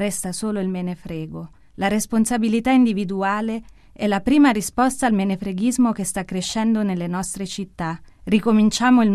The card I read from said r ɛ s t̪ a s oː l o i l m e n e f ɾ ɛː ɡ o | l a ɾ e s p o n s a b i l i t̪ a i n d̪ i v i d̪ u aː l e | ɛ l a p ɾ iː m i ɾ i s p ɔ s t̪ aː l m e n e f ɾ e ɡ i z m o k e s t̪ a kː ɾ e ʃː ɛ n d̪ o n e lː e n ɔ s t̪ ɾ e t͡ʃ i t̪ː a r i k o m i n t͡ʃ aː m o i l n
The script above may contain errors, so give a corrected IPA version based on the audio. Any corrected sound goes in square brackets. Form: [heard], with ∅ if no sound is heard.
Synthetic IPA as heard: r ɛ s t̪ a s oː l o i l m e n e f ɾ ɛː ɡ o | l a ɾ e s p o n s a b i l i t̪ a i n d̪ i v i d̪ u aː l e | ɛ l a p ɾ iː m [a] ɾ i s p ɔ s t̪ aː l m e n e f ɾ e ɡ i z m o k e s t̪ a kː ɾ e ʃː ɛ n d̪ o n e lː e n ɔ s t̪ ɾ e t͡ʃ i t̪ː a r i k o m i n t͡ʃ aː m o i l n